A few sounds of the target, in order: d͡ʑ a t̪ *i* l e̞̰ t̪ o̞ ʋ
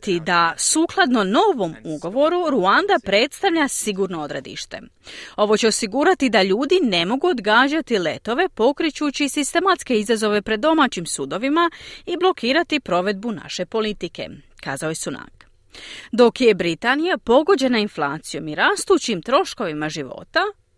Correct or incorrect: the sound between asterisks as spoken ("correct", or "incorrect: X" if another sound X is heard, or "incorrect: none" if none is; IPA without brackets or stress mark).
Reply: correct